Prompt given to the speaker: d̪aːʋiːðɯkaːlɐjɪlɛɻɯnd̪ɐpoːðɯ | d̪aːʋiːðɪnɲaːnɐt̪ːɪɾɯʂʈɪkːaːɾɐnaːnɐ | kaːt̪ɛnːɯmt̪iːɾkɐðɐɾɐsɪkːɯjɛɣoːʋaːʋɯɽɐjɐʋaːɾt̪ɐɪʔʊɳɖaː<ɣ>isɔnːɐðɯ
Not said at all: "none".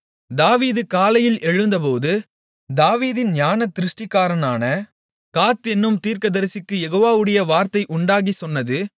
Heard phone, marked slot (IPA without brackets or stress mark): ɣ